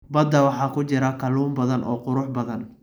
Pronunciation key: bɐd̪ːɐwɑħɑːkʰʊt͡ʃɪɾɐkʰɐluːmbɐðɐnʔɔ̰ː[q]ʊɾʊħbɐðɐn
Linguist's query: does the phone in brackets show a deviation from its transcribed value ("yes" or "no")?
no